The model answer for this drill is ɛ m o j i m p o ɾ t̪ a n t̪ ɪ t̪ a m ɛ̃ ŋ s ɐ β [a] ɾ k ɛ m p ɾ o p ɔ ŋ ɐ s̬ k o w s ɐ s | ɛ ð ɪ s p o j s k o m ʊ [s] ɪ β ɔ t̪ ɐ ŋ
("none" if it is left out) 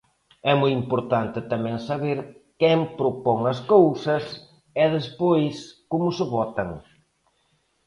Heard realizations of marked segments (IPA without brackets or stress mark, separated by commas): e, s